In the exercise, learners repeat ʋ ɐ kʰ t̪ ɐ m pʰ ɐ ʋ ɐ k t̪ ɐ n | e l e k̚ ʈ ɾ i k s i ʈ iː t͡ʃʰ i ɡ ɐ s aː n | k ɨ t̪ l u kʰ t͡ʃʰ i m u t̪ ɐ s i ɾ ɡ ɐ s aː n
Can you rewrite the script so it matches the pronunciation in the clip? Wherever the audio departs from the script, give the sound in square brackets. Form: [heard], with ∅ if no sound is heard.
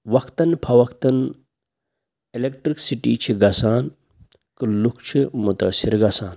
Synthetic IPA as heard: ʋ ɐ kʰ t̪ ɐ [n] pʰ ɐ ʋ ɐ k t̪ ɐ n | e l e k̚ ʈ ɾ i k s i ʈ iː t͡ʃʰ i ɡ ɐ s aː n | k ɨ [∅] l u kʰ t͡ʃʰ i m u t̪ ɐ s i ɾ ɡ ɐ s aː n

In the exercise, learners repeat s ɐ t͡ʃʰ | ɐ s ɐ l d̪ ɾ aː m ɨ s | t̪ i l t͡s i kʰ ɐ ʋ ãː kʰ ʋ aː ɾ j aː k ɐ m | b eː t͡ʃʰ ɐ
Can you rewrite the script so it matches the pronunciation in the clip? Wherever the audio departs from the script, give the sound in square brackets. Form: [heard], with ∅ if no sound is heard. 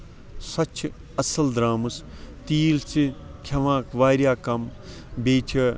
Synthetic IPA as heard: s ɐ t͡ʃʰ | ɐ s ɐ l d̪ ɾ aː m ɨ s | t̪ [iː] l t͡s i kʰ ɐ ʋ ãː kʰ ʋ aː ɾ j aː k ɐ m | b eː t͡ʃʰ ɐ

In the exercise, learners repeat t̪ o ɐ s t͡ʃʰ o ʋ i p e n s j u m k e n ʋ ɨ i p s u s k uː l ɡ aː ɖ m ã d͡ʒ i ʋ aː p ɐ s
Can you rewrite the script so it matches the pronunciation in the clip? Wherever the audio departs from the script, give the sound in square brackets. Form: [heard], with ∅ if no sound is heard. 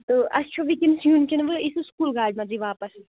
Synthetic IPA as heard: t̪ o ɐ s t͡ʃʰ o ʋ i [k] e n s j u [n] k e n ʋ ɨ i [∅] s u s k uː l ɡ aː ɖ m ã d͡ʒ i ʋ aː p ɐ s

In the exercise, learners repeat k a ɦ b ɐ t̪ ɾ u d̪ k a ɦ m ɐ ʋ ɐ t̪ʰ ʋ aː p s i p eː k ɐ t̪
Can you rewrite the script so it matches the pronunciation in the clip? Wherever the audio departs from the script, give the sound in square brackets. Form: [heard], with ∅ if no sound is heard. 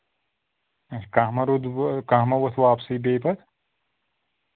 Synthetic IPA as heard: k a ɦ [m] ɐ [∅] ɾ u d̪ k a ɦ m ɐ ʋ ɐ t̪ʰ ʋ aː p s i [b] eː [p] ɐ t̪

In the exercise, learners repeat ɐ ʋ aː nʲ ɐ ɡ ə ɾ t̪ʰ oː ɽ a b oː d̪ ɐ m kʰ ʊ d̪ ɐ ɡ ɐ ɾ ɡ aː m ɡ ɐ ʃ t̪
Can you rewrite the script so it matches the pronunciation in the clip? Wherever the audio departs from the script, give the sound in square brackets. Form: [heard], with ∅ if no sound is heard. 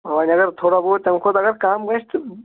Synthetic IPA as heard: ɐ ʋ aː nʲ ɐ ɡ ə ɾ t̪ʰ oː ɽ a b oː [t̪] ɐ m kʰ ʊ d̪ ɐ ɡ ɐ ɾ [k] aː m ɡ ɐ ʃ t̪

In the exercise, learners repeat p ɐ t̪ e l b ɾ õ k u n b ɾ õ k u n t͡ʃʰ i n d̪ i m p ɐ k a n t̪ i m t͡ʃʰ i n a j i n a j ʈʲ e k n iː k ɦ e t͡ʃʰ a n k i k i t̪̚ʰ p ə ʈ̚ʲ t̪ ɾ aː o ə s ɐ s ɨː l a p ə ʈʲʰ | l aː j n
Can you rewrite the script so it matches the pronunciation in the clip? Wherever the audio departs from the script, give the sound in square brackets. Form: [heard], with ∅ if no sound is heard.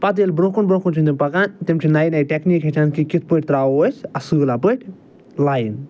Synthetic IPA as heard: p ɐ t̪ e l b ɾ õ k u n b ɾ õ k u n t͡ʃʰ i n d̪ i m p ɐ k a n t̪ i m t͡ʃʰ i n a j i n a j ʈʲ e k n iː k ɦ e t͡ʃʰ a n k i k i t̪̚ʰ p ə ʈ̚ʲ t̪ ɾ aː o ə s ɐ s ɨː l a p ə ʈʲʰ | l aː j n

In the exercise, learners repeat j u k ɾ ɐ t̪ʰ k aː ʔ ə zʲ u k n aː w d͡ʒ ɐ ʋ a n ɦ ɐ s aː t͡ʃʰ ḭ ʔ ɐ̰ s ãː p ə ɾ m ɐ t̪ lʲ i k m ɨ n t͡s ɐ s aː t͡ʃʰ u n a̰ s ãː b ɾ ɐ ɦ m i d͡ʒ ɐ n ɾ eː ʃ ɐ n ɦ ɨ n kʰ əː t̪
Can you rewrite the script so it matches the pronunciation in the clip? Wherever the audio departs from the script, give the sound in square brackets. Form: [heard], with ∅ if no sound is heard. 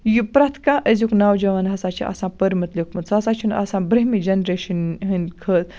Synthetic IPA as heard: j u [p] ɾ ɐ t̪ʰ k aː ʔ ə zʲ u k n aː w d͡ʒ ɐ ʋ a n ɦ ɐ s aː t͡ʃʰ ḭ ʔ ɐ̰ s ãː p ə ɾ m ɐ t̪ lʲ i k m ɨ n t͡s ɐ s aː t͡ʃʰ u n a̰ s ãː b ɾ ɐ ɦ m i d͡ʒ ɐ n ɾ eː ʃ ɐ n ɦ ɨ n kʰ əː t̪

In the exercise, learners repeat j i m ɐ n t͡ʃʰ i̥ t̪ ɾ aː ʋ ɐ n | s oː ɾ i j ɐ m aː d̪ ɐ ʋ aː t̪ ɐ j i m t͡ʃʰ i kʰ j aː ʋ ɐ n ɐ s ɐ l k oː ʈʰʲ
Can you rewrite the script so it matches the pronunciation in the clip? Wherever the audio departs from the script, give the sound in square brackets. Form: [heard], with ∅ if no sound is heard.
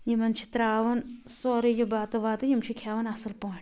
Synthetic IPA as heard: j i m ɐ n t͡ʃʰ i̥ t̪ ɾ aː ʋ ɐ n | s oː ɾ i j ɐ [b] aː [t̪] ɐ ʋ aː t̪ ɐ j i m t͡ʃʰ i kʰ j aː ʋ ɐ n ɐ s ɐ l [p] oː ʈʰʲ

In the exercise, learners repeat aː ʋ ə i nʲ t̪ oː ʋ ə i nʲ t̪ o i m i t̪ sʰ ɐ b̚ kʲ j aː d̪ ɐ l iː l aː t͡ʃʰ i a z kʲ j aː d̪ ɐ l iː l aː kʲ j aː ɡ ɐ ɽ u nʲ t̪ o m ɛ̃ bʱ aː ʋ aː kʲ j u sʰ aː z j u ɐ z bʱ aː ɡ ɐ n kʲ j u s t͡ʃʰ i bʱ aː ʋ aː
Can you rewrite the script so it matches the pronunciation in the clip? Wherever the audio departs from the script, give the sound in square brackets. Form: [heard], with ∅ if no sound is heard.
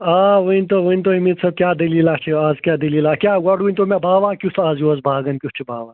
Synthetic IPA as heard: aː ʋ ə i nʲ t̪ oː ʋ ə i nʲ t̪ o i m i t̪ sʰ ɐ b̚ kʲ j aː d̪ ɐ l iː l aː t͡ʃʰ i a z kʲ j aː d̪ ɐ l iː l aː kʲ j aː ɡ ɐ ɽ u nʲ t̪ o m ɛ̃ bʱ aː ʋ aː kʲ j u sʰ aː z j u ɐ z bʱ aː ɡ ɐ n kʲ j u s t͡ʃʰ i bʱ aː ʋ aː

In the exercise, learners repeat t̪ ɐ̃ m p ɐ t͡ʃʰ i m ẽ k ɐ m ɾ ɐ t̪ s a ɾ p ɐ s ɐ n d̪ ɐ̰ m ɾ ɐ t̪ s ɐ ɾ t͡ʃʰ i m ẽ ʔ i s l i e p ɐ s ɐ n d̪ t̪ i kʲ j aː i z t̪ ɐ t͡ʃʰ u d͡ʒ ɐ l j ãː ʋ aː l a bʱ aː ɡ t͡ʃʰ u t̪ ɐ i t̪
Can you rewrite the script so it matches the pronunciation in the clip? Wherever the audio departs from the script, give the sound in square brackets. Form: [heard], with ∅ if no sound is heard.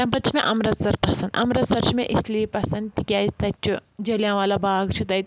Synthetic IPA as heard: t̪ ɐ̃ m p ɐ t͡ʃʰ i m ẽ [ʔ] ɐ m ɾ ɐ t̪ s [ɐ] ɾ p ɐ s ɐ n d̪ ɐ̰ m ɾ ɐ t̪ s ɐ ɾ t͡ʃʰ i m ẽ ʔ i s l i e p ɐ s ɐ n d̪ t̪ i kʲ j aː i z t̪ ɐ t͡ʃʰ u d͡ʒ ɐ l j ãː ʋ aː l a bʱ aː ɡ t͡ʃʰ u t̪ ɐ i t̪

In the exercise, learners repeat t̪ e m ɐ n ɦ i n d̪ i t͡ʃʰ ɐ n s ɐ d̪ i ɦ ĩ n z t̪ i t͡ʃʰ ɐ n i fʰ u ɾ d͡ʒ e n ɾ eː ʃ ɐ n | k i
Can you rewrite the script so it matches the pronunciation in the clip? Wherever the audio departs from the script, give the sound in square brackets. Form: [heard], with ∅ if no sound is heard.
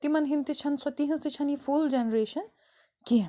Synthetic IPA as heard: t̪ [i] m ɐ n ɦ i n [t̪] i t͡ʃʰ ɐ n s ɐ [t̪] i ɦ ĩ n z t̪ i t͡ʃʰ ɐ n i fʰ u [l] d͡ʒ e n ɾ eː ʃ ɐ n | k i

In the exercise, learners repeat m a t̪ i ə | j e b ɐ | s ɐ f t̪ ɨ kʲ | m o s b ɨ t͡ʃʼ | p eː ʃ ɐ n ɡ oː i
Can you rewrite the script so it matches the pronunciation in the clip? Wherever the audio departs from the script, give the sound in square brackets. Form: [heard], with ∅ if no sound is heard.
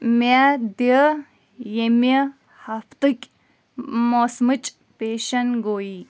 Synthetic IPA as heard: m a [d̪] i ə | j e [m] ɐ | [h] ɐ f t̪ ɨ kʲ | m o s [m] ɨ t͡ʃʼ | p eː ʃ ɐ n ɡ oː i

